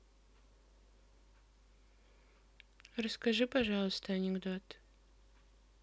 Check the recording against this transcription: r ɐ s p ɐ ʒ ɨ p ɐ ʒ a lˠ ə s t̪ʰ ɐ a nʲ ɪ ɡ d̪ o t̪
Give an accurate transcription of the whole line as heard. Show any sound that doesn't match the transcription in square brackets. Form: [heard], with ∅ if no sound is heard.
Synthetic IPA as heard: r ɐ s [k] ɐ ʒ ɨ p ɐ ʒ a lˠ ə s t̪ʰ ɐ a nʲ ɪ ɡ d̪ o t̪